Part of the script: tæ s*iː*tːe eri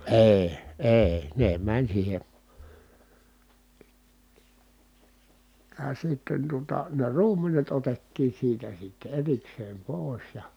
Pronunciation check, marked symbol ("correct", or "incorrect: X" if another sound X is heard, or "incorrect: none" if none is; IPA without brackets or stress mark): incorrect: i